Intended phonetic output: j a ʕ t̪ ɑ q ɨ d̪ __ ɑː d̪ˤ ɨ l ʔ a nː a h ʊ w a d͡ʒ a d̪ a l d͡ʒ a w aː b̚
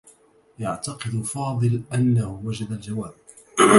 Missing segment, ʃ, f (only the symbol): f